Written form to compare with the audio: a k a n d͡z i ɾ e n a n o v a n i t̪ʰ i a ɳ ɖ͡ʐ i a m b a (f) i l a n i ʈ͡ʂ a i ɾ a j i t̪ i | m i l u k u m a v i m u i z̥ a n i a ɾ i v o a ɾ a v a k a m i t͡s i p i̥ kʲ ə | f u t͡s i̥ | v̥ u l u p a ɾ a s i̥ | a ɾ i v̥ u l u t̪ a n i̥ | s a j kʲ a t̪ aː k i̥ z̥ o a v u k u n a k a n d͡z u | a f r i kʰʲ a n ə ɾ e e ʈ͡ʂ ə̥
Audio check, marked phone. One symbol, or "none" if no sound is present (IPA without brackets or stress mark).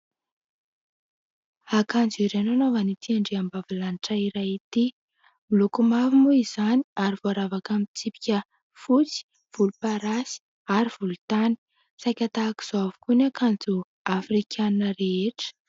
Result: v